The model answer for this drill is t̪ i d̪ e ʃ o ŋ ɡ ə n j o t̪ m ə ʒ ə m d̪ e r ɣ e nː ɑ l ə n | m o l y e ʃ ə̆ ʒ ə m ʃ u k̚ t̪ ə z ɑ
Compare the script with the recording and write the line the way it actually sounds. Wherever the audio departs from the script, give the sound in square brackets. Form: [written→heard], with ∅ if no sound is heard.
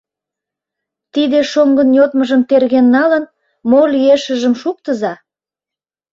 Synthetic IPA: t̪ i d̪ e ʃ o ŋ ɡ ə n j o t̪ m ə ʒ ə m [d̪→t̪] e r ɣ e nː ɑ l ə n | m o l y e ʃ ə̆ ʒ ə m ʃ u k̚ t̪ ə z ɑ